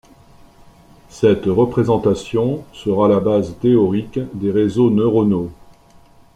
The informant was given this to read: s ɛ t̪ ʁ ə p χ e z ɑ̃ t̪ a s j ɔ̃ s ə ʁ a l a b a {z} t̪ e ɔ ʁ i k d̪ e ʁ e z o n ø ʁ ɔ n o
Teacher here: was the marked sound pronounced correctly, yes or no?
yes